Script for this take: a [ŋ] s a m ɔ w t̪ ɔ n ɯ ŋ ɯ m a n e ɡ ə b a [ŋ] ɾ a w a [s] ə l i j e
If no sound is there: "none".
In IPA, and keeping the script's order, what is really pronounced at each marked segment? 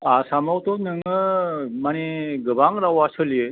none, ŋ, s

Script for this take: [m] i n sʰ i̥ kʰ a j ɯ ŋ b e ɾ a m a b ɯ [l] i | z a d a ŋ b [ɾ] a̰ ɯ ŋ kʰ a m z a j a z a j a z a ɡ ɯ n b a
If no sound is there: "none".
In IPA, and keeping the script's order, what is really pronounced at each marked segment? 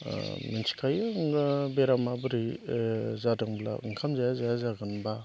m, ɾ, l

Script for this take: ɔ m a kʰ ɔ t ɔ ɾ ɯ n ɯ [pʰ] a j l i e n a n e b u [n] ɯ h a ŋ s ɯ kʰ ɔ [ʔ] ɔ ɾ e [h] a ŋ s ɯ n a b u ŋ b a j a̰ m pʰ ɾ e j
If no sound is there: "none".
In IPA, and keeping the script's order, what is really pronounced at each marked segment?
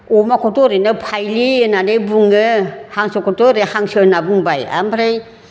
pʰ, ŋ, t, h

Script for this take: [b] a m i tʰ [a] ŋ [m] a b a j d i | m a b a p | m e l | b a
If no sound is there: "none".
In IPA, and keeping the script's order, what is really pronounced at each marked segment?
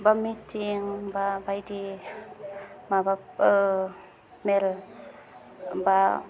b, i, b

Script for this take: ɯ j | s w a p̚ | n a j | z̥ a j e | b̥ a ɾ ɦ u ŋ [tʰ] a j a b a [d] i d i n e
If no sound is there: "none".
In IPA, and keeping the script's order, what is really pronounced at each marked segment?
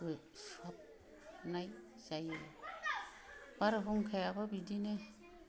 kʰ, b

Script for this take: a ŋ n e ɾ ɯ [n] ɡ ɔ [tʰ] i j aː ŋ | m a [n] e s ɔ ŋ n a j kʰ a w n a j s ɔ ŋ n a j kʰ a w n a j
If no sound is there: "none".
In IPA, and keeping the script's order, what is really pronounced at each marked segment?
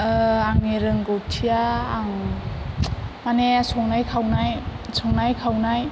ŋ, tʰ, n

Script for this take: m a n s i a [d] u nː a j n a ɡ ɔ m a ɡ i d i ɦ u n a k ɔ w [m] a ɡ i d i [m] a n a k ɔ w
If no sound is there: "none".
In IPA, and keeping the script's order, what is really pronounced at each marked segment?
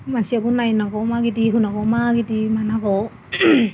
b, m, m

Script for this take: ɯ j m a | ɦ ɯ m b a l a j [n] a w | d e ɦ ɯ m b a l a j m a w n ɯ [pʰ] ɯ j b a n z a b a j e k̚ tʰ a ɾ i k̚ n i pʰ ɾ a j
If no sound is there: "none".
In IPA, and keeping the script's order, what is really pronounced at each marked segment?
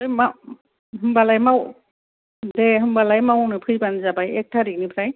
m, pʰ

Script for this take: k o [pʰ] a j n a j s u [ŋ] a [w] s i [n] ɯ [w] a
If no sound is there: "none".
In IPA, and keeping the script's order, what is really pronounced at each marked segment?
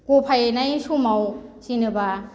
pʰ, m, w, n, b

